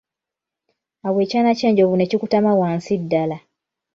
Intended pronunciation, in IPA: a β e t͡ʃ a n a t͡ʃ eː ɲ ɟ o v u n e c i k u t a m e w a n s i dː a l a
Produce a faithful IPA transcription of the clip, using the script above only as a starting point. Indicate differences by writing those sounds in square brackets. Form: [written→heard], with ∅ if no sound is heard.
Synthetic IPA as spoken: a [β→w] e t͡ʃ a n a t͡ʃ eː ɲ ɟ o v u n e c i k u t a m [e→a] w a n s i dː a l a